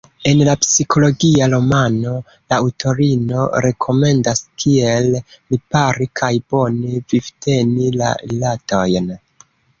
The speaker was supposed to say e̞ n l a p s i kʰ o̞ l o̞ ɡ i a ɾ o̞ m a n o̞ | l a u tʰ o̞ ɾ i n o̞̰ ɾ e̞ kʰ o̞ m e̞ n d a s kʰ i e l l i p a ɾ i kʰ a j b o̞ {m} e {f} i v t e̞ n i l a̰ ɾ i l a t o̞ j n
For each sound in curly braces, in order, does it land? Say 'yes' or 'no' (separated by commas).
no, no